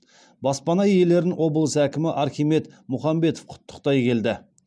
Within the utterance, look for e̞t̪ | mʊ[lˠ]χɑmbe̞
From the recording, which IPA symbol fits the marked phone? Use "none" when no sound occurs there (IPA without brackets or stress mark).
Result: none